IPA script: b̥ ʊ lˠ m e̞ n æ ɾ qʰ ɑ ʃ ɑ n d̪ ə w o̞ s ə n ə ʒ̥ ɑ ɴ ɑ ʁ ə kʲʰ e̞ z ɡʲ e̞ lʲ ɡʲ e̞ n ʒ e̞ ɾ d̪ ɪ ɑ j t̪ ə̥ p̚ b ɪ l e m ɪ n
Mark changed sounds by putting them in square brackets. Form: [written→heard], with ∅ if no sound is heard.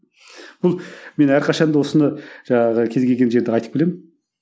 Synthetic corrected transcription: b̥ ʊ lˠ m e̞ n æ ɾ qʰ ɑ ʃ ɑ n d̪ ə w o̞ s ə n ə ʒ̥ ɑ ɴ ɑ ʁ ə kʲʰ e̞ z ɡʲ e̞ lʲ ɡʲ e̞ n ʒ e̞ ɾ d̪ ɪ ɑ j t̪ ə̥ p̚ b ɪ l e m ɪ n